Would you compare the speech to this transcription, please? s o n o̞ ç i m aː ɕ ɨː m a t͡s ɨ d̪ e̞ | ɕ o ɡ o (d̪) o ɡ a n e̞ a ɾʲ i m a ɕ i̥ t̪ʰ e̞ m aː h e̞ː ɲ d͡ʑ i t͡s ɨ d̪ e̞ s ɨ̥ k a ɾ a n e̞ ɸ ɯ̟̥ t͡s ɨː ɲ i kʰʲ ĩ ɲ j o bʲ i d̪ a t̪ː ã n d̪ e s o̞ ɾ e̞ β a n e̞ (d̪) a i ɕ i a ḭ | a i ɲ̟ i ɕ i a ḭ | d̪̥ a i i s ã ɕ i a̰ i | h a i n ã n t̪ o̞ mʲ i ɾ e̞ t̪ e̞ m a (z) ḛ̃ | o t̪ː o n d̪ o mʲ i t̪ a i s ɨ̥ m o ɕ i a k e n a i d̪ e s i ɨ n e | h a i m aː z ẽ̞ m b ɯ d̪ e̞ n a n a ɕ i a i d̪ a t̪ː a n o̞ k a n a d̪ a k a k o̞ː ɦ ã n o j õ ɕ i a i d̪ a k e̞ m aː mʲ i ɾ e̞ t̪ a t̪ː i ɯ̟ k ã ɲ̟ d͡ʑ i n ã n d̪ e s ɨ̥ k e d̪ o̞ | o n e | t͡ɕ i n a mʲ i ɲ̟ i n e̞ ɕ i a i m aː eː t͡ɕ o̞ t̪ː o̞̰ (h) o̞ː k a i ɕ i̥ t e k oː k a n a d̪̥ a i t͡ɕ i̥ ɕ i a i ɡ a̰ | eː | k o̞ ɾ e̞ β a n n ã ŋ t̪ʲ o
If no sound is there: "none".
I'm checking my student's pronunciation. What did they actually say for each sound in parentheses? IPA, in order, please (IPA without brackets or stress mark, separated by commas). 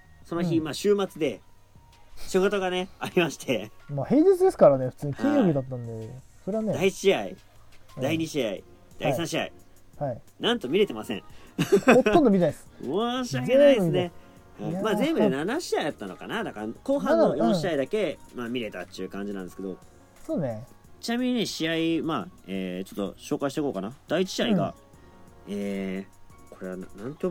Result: t̪, d̪, s, ɕ